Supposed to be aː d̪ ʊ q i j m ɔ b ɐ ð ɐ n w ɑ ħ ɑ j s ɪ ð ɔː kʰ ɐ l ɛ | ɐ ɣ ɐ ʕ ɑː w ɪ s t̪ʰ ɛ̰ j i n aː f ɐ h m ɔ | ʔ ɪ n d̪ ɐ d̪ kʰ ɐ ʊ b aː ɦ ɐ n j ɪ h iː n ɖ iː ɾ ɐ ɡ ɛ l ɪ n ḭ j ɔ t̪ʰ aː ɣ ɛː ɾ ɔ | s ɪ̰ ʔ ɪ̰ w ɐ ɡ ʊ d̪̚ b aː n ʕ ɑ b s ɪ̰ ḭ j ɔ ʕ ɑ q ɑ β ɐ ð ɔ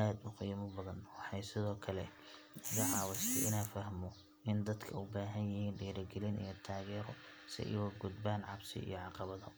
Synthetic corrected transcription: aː d̪ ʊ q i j m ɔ b ɐ ð ɐ n w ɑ ħ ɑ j s ɪ ð ɔː kʰ ɐ l ɛ | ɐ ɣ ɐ ʕ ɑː w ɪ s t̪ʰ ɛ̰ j ɪ n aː f ɐ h m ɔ | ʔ ɪ n d̪ ɐ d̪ kʰ ɐ ʊ b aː ɦ ɐ n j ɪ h iː n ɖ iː ɾ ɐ ɡ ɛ l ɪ n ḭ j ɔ t̪ʰ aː ɣ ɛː ɾ ɔ | s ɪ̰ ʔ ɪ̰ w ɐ ɡ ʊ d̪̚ b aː n ʕ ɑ b s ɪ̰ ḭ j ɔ ʕ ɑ q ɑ β ɐ ð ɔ